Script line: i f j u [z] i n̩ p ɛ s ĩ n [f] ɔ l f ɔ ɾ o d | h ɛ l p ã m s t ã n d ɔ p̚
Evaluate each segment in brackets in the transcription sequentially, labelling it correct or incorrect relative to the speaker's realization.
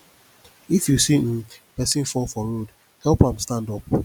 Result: incorrect: s, correct

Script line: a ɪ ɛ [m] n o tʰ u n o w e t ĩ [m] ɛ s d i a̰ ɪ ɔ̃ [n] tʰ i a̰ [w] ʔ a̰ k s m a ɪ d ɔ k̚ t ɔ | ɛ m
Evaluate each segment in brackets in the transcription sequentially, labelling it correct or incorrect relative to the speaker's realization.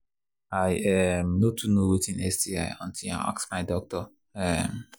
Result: correct, incorrect: n, correct, incorrect: none

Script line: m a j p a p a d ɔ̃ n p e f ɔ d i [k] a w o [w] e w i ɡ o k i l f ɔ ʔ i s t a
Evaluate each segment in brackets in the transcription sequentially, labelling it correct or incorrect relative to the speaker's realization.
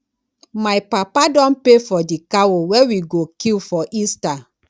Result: correct, correct

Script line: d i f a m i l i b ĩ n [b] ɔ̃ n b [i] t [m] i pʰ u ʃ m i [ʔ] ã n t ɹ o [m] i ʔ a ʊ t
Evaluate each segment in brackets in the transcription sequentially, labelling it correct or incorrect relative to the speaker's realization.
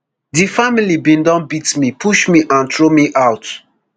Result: incorrect: d, correct, correct, correct, correct

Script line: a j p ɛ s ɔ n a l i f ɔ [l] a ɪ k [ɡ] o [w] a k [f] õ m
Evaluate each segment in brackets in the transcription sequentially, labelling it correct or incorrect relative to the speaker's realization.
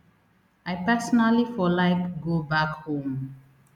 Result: correct, correct, incorrect: b, incorrect: h

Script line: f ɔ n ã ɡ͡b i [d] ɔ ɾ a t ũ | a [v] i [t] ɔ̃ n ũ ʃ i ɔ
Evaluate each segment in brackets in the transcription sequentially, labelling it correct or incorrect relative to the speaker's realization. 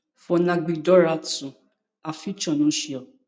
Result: correct, incorrect: f, incorrect: t͡ʃ

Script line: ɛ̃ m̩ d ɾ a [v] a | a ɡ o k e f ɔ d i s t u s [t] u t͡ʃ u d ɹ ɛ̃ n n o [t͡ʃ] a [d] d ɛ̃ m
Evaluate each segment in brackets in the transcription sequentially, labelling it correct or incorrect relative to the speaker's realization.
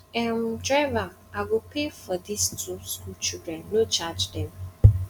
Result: correct, incorrect: k, correct, incorrect: d͡ʒ

